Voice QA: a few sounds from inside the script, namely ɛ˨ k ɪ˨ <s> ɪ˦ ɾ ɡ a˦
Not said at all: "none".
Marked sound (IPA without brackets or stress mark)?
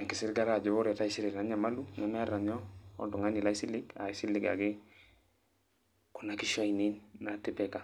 s